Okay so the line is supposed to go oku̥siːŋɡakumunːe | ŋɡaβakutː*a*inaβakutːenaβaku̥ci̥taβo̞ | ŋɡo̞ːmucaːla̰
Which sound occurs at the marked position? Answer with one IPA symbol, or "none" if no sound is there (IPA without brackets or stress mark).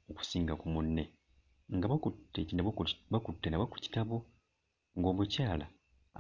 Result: e